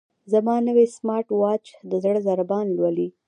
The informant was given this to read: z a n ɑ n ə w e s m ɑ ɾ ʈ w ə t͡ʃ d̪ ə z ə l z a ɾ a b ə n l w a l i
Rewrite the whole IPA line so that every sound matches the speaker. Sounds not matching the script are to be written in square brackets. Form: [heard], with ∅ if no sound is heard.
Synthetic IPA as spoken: z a [m] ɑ n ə w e s m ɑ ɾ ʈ w [ɑ] t͡ʃ d̪ ə z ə [ɽ] z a ɾ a b [ɑ] n l w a l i